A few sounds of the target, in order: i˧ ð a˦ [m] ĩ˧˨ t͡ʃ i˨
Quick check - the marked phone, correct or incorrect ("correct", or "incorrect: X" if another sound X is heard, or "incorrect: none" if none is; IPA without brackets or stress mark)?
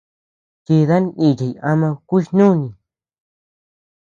incorrect: n